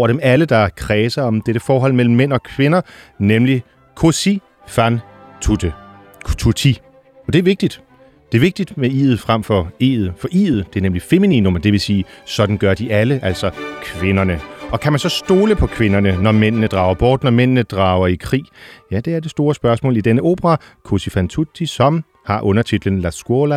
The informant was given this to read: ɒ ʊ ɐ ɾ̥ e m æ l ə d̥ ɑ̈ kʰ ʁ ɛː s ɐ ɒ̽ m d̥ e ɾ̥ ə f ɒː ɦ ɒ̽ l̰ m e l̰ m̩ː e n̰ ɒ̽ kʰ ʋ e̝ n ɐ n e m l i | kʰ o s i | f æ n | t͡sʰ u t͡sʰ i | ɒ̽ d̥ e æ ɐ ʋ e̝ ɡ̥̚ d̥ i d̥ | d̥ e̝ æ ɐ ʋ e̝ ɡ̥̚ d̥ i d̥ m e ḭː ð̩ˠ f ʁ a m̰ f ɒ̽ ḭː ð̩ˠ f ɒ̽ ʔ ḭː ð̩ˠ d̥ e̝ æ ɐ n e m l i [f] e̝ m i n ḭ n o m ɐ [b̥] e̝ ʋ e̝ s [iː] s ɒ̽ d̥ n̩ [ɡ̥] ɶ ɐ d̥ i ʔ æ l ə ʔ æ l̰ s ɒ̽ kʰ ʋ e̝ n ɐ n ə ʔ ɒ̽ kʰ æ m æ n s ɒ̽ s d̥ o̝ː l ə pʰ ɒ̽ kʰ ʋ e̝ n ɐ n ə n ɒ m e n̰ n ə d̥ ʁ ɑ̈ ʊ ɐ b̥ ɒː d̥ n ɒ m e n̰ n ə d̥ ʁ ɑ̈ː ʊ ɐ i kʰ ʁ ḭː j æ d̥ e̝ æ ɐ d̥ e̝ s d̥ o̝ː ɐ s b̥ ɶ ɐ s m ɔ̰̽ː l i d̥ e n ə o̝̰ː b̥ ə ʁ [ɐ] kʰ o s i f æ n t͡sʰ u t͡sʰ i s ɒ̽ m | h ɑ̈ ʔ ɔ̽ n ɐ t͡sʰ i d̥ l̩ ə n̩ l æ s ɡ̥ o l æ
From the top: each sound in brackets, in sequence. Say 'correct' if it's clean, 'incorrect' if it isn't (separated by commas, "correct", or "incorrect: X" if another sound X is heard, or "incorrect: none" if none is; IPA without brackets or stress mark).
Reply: correct, incorrect: d̥, correct, correct, incorrect: ɑ